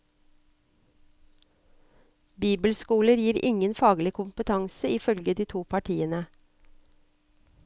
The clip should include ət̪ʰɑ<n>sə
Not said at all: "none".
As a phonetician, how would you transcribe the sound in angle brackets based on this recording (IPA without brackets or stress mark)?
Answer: ŋ